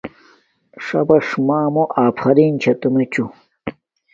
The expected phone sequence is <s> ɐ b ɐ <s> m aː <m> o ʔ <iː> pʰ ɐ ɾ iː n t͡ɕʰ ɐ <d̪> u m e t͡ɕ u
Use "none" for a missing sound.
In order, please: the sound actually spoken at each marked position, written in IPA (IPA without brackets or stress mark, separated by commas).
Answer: ʂ, ʂ, m, aː, t̪